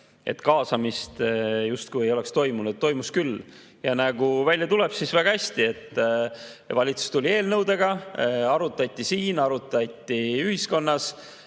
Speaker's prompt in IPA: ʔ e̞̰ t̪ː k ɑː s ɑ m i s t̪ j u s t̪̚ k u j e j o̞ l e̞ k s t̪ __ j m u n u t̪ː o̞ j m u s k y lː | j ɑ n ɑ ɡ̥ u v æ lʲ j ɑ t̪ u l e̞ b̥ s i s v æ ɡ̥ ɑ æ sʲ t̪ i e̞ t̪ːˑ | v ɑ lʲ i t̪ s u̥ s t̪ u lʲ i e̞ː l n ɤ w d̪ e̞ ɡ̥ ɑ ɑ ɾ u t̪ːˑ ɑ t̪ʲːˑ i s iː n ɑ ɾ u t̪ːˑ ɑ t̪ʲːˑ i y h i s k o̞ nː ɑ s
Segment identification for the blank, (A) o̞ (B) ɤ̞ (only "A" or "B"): A